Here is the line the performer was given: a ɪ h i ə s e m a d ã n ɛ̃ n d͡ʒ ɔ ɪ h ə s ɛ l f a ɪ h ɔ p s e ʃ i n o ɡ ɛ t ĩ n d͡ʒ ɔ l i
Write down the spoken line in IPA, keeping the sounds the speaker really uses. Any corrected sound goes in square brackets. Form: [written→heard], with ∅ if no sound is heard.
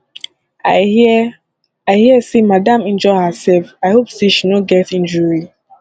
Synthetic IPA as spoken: a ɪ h i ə s e m a d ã [n→m] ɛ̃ n d͡ʒ ɔ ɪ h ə s ɛ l f a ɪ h [ɔ→o] p s e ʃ i n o ɡ ɛ t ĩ n d͡ʒ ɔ [l→ɹ] i